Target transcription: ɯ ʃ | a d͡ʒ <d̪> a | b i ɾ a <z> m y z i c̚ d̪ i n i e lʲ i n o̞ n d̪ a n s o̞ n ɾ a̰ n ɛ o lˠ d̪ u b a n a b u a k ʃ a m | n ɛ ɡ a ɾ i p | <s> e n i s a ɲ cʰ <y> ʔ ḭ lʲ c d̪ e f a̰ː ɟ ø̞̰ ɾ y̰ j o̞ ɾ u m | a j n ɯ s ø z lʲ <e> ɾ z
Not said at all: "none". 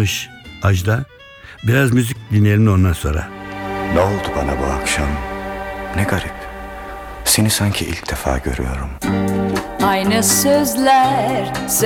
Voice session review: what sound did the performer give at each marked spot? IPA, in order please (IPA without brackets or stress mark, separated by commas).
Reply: d̪, z, s, i, æ